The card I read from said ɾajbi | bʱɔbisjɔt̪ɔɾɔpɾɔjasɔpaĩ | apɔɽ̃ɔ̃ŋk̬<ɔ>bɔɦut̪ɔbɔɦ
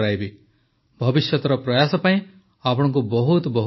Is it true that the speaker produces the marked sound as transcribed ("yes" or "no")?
no